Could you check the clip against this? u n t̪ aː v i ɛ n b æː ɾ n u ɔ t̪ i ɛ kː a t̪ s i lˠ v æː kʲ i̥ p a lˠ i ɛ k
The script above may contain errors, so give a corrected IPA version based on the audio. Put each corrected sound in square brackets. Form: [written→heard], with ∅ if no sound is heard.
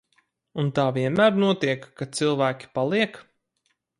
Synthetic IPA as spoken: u n t̪ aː v i ɛ n [b→m] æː ɾ n u ɔ t̪ i ɛ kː a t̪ s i lˠ v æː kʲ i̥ p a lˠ i ɛ k